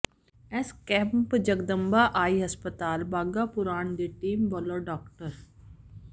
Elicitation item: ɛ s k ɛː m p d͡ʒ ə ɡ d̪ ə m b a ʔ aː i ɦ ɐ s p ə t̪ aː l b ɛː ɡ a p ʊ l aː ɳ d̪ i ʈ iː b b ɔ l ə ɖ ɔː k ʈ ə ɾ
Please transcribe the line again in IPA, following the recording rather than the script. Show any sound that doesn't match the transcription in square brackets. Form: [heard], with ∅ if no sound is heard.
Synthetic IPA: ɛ s k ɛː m p d͡ʒ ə ɡ d̪ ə m b a ʔ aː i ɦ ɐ s p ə t̪ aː l b [aː] ɡ a p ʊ [ɾ] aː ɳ d̪ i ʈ iː [m] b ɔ l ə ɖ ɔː k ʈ ə ɾ